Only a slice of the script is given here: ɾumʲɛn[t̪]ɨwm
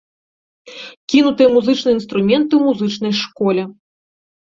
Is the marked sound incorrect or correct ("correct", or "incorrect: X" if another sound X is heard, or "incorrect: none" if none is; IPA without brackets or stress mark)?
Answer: correct